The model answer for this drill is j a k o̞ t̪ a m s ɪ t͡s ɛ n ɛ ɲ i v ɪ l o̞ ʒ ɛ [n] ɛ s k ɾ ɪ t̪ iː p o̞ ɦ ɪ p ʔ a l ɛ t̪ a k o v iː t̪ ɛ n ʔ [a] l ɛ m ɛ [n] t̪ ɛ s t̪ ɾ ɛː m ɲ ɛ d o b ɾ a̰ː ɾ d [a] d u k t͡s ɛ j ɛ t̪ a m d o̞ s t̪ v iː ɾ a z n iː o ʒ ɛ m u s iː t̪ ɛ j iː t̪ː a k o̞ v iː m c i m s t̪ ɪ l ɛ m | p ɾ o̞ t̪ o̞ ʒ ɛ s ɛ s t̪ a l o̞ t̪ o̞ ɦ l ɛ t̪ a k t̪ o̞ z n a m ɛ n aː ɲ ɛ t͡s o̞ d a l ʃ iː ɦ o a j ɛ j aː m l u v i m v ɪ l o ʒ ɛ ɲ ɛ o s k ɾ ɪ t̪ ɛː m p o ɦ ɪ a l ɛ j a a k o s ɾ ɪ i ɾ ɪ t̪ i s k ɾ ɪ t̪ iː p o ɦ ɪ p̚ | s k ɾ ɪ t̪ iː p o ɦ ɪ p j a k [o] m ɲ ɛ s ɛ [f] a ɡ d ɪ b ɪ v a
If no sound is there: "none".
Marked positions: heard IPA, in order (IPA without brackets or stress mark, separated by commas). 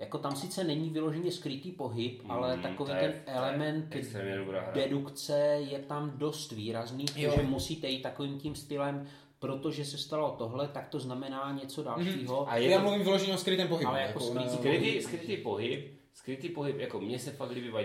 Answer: ɲ, ɛ, n, ɛ, o, f